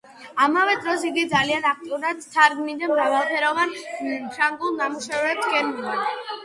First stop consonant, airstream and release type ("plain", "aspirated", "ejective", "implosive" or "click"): plain